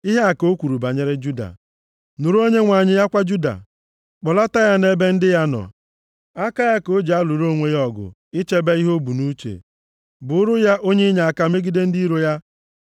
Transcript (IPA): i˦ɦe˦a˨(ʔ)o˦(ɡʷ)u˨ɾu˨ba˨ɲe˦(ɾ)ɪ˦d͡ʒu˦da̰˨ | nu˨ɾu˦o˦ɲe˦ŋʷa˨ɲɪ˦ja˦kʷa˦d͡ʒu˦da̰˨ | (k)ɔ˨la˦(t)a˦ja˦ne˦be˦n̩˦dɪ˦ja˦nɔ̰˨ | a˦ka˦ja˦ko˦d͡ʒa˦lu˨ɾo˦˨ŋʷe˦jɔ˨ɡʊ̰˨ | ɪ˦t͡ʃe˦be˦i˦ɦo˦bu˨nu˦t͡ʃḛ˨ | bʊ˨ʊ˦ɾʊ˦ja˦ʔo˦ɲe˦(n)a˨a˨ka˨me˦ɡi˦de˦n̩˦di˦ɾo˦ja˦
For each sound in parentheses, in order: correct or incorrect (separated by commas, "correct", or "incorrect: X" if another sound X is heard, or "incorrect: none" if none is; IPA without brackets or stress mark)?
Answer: incorrect: k, incorrect: kʷ, correct, incorrect: k͡p, correct, incorrect: ɲ